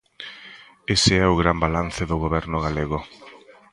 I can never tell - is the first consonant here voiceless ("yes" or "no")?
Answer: yes